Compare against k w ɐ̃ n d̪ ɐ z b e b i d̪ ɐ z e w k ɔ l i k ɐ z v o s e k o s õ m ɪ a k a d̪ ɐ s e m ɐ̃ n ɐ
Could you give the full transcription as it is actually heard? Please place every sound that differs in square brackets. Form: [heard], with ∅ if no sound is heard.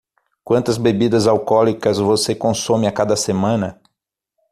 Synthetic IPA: k w ɐ̃ n [t̪] ɐ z b e b i d̪ ɐ z [a] w k ɔ l i k ɐ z v o s e k [õ] s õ m ɪ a k a d̪ ɐ s e m ɐ̃ n ɐ

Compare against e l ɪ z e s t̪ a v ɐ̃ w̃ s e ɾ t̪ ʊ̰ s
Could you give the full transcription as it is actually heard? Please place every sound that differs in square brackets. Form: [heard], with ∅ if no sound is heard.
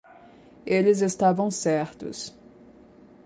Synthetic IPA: e l ɪ z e s t̪ a v ɐ̃ w̃ s [ɛ] ɾ t̪ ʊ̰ s

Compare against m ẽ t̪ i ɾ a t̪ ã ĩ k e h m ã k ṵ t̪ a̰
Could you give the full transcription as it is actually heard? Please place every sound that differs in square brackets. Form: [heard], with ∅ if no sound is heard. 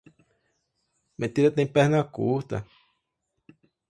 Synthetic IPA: m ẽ t̪ i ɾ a t̪ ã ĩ [p] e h [n] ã k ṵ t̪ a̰

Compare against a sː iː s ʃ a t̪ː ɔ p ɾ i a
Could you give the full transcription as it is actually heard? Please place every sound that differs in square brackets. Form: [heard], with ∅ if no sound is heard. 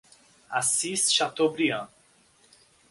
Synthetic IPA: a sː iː s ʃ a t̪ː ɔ [b] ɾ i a

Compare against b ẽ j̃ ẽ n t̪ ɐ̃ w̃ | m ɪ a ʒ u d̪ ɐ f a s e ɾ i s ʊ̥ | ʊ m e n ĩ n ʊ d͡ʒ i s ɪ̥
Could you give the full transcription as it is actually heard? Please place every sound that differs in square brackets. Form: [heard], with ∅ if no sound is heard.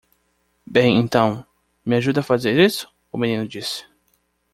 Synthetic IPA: b ẽ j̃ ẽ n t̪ ɐ̃ w̃ | m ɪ a ʒ u d̪ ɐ f a [z] e ɾ i s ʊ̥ | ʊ m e n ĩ n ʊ d͡ʒ i s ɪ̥

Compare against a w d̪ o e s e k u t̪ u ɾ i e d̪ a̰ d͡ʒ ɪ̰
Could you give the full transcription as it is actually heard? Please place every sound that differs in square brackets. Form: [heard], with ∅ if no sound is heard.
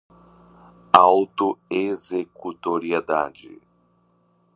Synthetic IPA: a w [t̪] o e [z] e k u t̪ [o] ɾ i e d̪ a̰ d͡ʒ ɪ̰

